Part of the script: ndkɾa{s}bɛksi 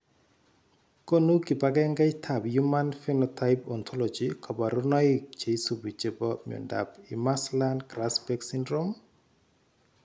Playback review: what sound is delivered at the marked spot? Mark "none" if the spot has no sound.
s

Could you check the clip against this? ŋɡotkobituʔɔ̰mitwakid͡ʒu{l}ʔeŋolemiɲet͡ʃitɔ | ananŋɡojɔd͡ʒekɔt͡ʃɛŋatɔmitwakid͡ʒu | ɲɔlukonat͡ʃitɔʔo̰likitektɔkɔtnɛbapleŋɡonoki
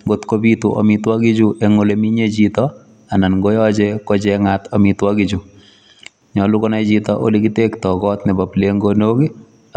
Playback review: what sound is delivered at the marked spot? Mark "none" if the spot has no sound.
none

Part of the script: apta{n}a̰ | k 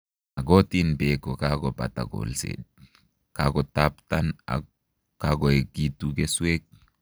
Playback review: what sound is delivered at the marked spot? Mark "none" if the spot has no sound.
n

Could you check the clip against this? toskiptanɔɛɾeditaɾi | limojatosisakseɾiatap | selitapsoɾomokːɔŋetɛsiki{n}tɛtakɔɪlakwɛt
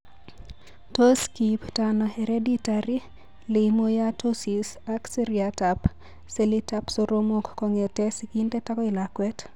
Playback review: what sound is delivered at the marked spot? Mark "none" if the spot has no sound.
n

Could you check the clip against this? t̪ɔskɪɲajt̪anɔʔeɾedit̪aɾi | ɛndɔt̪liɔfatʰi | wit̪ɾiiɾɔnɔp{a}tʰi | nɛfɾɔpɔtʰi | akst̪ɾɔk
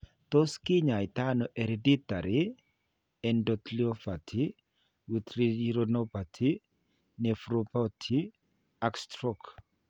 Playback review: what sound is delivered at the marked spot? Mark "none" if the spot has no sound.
a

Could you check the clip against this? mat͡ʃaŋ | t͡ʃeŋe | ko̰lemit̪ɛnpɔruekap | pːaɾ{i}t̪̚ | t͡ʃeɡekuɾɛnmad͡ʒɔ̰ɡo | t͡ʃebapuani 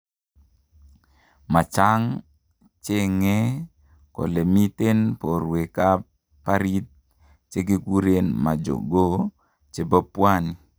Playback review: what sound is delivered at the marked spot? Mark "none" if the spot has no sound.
i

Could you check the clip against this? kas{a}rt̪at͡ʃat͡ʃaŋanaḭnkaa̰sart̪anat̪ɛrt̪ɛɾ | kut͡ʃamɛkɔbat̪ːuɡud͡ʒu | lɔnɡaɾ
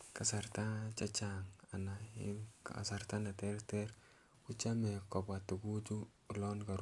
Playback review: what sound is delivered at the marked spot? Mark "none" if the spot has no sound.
a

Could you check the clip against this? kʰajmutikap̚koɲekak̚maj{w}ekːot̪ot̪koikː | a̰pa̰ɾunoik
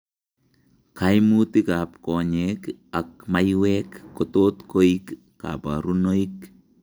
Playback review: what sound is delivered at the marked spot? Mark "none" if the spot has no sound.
w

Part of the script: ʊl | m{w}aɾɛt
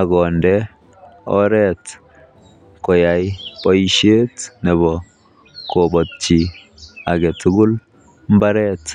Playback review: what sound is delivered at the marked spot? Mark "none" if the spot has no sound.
b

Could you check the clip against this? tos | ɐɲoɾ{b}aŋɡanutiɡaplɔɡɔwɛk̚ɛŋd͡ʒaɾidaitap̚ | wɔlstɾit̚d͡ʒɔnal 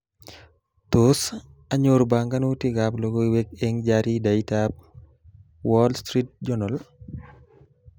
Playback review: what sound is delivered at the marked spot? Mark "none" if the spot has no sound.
b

